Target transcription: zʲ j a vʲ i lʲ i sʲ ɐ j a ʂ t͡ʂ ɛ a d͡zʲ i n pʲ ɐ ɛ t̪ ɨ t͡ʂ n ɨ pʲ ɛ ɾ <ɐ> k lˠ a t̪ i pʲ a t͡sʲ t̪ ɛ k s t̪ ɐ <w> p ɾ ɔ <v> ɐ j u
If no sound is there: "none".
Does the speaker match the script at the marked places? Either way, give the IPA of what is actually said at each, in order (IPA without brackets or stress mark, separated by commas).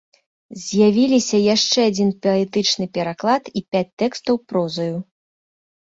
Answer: a, w, z